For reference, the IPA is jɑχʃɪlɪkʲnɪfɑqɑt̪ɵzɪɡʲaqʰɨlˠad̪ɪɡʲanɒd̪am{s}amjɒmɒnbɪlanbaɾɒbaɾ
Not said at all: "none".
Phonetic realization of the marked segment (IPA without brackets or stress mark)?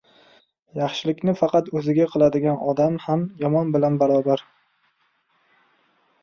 h